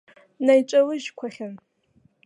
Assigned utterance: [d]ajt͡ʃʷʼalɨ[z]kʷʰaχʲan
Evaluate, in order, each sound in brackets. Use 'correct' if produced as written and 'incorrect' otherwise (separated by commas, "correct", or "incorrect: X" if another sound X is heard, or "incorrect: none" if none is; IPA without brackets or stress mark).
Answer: incorrect: n, incorrect: ʒ